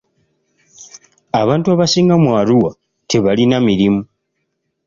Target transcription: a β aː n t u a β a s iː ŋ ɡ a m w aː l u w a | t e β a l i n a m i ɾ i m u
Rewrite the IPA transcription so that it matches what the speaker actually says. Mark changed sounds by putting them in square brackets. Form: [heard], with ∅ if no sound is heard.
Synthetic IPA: a β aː n t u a β a s iː ŋ ɡ a m w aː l u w a | t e β a l i n a m i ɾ i m u